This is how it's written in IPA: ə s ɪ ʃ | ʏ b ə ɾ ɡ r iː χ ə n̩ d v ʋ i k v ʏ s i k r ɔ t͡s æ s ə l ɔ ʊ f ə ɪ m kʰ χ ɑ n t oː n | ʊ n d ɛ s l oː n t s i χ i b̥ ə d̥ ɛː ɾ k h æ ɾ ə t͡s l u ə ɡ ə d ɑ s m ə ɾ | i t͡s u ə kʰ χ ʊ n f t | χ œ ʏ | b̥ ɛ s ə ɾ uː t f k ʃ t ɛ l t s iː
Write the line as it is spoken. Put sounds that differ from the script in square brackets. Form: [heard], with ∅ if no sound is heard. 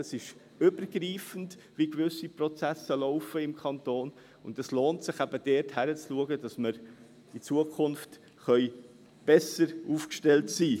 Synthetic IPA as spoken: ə s ɪ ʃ | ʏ b ə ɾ ɡ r iː [f] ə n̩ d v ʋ i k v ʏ s i [p] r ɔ t͡s æ s ə l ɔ ʊ f ə ɪ m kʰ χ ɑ n t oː n | ʊ n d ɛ s l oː n t s [ɪ] χ [æ] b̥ ə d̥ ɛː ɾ [t] h æ ɾ ə t͡s l u ə ɡ ə d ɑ s m ə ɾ | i t͡s u ə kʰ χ ʊ n f t | χ œ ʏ | b̥ ɛ s ə ɾ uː [∅] f k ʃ t ɛ l t s iː